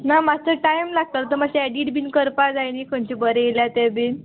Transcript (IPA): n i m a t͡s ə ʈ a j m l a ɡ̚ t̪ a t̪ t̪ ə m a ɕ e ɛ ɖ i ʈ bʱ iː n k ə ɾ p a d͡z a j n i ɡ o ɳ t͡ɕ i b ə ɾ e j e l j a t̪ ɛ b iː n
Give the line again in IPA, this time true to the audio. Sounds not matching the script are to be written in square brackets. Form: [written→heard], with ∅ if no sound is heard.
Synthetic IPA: n [i→a] m a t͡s ə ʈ a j m l a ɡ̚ t̪ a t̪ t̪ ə m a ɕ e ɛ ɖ i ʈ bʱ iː n k ə ɾ p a d͡z a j n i [ɡ→k] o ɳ t͡ɕ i b ə ɾ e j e l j a t̪ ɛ b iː n